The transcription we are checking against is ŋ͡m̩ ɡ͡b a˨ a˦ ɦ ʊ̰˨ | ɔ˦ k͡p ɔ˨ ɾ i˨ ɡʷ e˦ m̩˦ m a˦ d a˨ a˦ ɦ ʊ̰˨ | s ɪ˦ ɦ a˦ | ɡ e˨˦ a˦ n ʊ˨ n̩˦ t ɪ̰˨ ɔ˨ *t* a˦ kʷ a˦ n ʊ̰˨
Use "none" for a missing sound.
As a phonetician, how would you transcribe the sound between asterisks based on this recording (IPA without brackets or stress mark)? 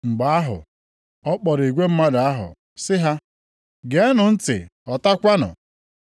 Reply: t